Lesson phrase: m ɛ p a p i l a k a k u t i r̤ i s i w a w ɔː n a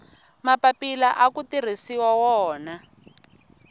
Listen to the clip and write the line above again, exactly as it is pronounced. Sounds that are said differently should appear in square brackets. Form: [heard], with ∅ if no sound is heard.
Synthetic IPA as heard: m [a] p a p i l a [ʔ] a k u t i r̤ i s i w a w ɔː n a